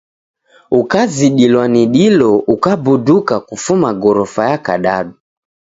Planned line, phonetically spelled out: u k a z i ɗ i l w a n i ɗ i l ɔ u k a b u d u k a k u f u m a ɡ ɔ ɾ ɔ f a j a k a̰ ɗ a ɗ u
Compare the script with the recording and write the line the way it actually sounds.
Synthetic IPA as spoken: u k a z i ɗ i l w a n i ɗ i l ɔ u k a b u d u k a k u f u m a ɡ ɔ ɾ ɔ f a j a k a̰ ɗ a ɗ u